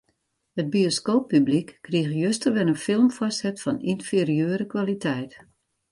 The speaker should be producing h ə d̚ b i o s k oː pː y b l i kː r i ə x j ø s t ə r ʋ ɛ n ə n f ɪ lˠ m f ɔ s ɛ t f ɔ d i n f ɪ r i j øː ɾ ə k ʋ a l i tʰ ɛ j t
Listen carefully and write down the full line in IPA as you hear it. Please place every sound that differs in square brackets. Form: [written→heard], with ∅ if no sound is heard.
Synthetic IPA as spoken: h ə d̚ b i o s k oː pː y b l i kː r i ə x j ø s t ə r ʋ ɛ n ə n f ɪ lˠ m f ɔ s ɛ t f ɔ [d→n] i n f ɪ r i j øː ɾ ə k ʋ a l i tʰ ɛ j t